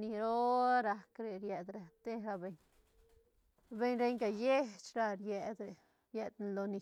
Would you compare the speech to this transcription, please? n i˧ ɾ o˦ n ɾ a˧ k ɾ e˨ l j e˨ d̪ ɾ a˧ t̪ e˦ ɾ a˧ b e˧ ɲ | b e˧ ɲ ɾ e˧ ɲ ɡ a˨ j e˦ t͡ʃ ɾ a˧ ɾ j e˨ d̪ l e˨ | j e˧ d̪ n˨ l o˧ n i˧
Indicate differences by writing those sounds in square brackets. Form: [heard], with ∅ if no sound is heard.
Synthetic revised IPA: n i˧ ɾ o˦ [∅] ɾ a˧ k ɾ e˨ [ɾ] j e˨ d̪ ɾ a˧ t̪ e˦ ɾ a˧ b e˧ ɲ | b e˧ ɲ ɾ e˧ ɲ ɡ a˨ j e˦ t͡ʃ ɾ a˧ ɾ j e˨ d̪ [ɾ] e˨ | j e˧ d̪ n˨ l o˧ n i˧